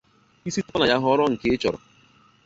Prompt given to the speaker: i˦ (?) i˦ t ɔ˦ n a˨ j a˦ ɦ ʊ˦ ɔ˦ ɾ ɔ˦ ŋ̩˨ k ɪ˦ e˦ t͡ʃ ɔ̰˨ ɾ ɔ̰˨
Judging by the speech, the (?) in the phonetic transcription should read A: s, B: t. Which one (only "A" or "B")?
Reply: A